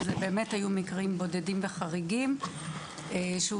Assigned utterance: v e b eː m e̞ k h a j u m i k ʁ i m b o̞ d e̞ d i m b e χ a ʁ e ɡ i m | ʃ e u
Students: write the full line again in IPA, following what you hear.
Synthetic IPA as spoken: z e b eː m e̞ t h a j u m i k ʁ i m b o̞ d e̞ d i m v e χ a ʁ i ɡ i m | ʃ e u